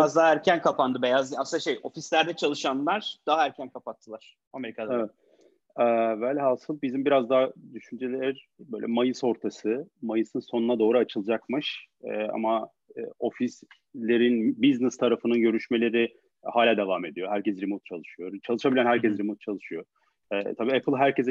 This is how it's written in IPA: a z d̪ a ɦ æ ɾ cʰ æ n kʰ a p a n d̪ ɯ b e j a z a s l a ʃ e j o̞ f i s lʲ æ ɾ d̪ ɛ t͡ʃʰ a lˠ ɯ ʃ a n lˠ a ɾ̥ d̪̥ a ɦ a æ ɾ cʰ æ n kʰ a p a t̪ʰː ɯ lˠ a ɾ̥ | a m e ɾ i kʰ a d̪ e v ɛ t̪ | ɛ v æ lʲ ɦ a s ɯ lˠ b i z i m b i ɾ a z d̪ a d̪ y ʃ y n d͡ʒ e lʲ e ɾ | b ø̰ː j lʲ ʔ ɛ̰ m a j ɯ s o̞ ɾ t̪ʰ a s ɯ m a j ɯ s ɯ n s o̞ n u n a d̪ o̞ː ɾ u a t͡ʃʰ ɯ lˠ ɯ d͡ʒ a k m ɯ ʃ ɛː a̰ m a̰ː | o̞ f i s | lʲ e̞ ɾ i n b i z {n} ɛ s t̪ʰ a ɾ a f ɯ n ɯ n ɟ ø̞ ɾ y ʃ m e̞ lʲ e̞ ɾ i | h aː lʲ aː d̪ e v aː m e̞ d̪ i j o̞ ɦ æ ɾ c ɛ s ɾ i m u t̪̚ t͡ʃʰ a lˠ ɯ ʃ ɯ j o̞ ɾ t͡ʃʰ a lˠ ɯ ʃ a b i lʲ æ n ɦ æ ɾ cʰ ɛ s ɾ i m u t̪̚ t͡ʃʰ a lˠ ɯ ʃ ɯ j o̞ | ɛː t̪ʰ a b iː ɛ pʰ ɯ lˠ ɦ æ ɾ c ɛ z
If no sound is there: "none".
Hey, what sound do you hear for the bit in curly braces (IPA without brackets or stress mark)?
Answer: n